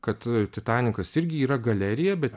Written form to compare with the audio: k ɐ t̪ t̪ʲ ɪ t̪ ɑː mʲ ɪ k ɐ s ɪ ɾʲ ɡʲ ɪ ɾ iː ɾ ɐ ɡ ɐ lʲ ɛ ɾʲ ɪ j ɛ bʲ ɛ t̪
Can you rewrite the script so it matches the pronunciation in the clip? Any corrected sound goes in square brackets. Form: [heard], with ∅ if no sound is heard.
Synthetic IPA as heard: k ɐ t̪ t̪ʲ ɪ t̪ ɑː [nʲ] ɪ k ɐ s ɪ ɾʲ ɡʲ ɪ [∅] iː ɾ ɐ ɡ ɐ lʲ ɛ ɾʲ ɪ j ɛ bʲ ɛ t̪